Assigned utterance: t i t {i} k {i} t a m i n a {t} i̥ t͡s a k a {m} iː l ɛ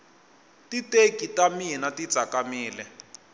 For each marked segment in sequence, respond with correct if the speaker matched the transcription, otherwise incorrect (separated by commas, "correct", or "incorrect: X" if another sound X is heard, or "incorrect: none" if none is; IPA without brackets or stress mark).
incorrect: e, correct, correct, correct